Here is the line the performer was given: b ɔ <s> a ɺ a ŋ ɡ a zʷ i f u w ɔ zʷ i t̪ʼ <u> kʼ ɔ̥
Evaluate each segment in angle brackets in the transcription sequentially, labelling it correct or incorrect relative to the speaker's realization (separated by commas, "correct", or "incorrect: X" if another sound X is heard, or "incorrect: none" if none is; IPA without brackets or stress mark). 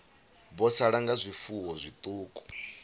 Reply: correct, incorrect: uː